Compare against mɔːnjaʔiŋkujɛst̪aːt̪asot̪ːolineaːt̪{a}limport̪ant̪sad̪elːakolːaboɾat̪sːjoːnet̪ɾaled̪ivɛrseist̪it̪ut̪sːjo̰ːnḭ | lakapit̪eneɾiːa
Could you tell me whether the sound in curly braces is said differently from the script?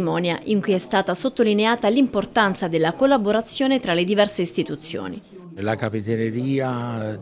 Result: no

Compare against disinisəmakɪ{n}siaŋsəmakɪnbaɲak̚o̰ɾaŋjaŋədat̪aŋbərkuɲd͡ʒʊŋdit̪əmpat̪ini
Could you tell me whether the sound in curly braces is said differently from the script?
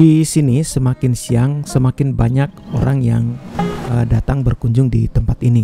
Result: no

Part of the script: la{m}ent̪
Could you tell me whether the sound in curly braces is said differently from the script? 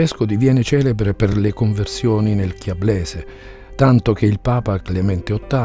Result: no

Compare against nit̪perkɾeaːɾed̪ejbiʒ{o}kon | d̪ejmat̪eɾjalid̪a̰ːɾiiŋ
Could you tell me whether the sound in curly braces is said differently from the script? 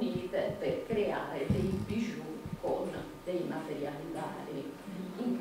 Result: yes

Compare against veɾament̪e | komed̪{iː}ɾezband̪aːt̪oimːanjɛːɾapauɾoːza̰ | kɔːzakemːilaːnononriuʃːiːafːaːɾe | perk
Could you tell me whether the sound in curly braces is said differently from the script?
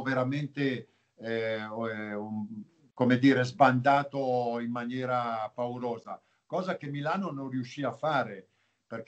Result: no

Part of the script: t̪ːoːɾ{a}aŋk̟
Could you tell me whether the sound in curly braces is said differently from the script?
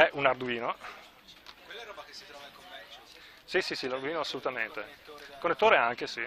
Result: yes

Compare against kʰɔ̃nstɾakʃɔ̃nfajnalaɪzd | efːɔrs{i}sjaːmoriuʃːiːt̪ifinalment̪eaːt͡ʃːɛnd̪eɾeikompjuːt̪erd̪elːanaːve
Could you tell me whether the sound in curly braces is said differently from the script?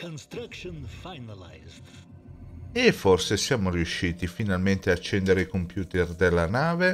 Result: yes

